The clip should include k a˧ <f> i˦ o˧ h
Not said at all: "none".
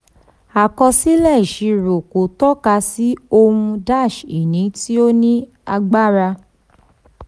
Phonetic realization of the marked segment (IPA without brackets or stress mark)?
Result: s